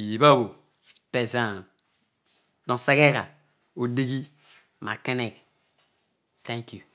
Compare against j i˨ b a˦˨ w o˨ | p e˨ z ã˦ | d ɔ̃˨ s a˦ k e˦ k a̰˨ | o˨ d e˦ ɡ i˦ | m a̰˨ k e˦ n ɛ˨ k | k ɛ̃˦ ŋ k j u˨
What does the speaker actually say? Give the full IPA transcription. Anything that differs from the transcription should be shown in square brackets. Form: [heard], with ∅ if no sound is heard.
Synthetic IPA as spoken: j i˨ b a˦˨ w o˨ | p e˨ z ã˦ | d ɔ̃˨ s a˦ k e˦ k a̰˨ | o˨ d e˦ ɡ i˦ | m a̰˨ k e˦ n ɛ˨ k | [t] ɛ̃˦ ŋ k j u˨